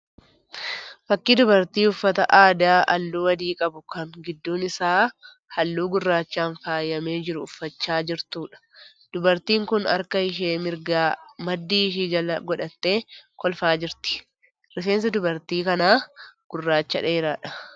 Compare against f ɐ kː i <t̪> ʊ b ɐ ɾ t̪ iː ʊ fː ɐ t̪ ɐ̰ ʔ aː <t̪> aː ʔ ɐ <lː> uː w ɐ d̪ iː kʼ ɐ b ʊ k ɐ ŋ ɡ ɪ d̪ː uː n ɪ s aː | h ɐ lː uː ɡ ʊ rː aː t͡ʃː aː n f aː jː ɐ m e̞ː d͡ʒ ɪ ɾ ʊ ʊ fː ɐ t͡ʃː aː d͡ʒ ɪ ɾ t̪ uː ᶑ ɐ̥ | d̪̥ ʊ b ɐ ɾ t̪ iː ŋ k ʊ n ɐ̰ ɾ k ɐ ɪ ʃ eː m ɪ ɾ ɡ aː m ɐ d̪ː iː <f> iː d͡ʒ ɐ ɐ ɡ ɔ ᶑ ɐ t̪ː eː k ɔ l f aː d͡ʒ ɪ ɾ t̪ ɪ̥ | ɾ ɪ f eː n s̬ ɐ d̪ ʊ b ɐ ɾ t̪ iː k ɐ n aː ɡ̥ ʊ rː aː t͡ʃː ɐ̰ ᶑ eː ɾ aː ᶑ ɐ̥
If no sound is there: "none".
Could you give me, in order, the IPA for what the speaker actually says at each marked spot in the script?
d̪, d̪, lː, ʃ

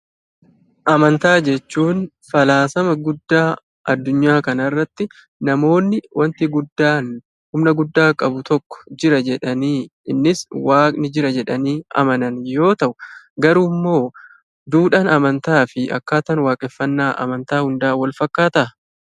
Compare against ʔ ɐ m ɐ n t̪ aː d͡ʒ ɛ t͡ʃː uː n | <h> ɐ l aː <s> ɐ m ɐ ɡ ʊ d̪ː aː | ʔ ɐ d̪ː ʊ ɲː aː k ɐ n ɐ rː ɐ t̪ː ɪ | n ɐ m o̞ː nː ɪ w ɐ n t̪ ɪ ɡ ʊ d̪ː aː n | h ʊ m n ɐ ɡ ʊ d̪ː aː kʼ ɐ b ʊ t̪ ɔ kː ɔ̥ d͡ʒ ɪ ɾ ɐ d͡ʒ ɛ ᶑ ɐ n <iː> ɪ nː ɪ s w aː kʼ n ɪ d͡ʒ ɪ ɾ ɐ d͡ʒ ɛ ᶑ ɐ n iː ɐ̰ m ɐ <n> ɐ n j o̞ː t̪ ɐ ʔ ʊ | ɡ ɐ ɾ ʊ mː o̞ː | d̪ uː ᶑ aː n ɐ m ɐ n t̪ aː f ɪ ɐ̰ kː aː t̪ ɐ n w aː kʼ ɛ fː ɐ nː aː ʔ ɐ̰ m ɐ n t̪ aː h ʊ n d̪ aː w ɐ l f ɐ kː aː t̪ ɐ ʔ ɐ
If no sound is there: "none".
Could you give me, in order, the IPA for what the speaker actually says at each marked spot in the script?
f, s, iː, n

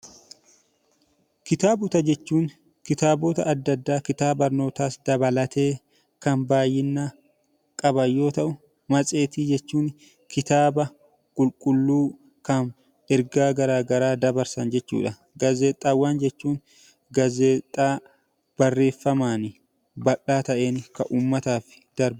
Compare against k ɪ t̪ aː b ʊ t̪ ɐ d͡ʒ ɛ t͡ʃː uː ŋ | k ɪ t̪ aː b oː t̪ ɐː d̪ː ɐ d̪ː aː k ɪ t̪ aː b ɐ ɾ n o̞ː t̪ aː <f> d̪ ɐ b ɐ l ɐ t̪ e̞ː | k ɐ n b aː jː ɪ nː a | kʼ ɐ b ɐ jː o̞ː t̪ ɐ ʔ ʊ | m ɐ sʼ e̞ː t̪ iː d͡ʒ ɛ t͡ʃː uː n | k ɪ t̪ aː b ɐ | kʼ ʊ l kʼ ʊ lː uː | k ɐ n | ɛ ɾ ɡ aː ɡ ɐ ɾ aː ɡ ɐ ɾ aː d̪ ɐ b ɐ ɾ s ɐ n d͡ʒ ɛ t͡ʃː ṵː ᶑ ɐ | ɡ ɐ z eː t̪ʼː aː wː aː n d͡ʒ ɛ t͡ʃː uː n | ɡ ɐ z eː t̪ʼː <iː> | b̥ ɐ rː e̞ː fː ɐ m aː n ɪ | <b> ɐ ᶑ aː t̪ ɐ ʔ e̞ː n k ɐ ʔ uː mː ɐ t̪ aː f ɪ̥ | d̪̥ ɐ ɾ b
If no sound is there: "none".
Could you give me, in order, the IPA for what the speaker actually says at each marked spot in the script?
s, aː, b

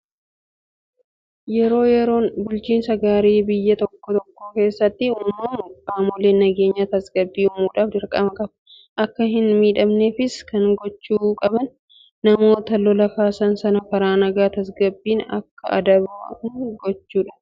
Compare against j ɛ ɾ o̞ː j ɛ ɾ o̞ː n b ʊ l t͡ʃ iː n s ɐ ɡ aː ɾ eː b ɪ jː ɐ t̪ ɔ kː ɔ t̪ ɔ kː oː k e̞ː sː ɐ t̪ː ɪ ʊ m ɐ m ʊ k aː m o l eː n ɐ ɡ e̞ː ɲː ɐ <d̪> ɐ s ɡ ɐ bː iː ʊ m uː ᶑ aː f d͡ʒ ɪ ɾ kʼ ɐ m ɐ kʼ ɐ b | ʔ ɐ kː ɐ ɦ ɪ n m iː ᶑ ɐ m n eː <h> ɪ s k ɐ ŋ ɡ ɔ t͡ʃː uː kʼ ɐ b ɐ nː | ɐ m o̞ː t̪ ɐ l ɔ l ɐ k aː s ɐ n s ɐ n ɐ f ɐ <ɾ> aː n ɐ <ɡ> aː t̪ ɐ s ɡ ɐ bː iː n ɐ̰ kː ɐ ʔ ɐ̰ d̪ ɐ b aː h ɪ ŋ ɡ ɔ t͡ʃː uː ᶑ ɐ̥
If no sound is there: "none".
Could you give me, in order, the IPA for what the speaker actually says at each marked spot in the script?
t̪, f, ɾ, ɡ

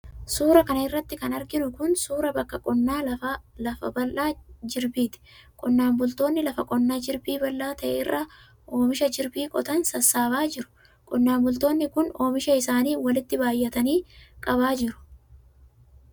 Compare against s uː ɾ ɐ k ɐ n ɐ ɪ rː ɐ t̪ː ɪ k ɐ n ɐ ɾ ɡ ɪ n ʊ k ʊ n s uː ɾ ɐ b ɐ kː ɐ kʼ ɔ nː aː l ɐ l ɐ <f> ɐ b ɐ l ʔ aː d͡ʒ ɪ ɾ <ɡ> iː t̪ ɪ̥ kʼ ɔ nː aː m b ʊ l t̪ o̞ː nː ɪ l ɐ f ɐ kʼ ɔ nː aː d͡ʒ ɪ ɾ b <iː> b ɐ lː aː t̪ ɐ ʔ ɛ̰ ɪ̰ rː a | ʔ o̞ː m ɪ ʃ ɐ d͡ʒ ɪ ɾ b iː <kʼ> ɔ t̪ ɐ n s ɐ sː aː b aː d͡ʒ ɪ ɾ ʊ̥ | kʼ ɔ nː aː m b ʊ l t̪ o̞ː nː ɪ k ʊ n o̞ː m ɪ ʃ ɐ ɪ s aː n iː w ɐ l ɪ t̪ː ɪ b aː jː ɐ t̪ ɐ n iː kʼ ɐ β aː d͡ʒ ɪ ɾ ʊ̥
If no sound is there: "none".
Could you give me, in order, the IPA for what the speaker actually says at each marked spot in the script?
f, b, iː, kʼ

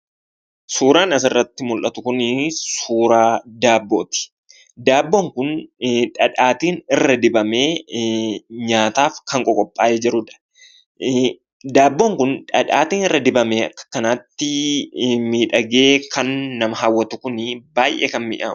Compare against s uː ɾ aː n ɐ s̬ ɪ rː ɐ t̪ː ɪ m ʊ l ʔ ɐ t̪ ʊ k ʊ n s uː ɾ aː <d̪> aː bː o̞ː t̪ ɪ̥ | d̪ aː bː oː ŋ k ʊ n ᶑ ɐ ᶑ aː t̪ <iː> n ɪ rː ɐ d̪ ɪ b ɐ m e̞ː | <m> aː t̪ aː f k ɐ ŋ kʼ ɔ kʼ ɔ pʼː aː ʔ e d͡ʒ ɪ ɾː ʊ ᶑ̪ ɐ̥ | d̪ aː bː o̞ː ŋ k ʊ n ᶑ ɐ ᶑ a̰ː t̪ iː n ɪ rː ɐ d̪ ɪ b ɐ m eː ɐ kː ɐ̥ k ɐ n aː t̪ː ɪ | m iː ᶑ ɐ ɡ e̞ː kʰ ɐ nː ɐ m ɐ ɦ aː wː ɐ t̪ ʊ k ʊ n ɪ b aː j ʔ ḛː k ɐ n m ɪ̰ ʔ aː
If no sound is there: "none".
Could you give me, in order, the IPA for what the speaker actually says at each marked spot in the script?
d̪, iː, ɲ

